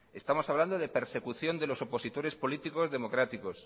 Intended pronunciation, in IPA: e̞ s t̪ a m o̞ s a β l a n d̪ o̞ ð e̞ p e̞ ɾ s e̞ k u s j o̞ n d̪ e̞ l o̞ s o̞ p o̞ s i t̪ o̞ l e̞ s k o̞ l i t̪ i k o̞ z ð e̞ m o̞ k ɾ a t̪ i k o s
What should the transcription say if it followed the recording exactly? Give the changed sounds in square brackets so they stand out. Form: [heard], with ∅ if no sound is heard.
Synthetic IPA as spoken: e̞ s t̪ a m o̞ s a β l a n d̪ o̞ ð e̞ p e̞ ɾ s e̞ k u [θ] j o̞ n d̪ e̞ l o̞ s o̞ p o̞ s i t̪ o̞ [ɾ] e̞ s [p] o̞ l i t̪ i k o̞ z ð e̞ m o̞ k ɾ a t̪ i k o s